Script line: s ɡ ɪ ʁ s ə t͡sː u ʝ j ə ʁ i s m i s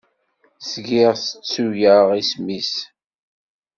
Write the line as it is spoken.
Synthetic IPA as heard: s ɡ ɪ ʁ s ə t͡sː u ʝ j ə ʁ i s m i s